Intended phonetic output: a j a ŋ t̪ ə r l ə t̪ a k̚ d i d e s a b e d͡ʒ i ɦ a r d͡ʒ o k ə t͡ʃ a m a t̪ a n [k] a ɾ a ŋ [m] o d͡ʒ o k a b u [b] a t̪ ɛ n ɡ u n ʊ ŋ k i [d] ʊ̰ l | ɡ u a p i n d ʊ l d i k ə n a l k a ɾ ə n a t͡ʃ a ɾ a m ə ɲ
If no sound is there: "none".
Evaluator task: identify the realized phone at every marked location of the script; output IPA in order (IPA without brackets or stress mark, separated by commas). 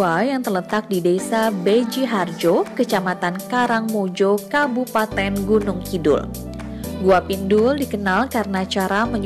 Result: k, m, p, d